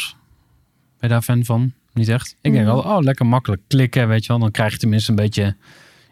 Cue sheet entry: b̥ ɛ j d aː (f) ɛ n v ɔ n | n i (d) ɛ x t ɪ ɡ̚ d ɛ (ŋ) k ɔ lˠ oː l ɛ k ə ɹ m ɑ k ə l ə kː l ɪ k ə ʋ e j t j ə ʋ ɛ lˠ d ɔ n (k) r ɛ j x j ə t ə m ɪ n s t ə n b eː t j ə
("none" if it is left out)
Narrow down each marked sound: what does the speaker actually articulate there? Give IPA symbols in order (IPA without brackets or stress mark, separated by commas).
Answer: f, t, ŋ, k